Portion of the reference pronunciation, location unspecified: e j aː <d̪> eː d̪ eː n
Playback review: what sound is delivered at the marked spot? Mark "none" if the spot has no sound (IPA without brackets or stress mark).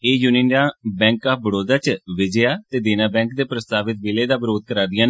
t̪